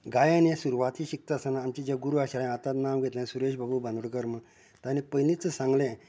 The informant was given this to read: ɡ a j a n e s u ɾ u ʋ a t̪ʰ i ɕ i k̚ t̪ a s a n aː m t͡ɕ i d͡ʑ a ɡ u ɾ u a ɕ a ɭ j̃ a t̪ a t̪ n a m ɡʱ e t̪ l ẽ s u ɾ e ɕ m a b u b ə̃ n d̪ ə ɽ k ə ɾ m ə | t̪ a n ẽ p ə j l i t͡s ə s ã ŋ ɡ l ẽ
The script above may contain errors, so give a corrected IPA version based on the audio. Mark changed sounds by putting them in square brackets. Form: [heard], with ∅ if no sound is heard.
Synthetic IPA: ɡ a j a n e s u ɾ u ʋ a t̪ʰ i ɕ i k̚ t̪ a s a n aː m t͡ɕ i d͡ʑ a ɡ u ɾ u a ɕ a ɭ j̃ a t̪ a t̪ n a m ɡʱ e t̪ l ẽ s u ɾ e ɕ [b] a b u b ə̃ n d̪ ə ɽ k ə ɾ m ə | t̪ a n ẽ p ə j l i t͡s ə s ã ŋ ɡ l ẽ